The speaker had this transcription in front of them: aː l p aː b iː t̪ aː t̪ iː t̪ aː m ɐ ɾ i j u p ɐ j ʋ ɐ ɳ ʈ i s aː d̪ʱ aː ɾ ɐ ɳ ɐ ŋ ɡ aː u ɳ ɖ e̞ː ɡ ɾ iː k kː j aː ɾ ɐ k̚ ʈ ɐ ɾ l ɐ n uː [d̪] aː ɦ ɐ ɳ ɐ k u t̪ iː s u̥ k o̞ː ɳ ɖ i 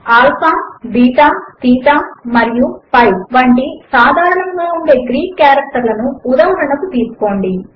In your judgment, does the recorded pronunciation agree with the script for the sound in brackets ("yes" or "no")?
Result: yes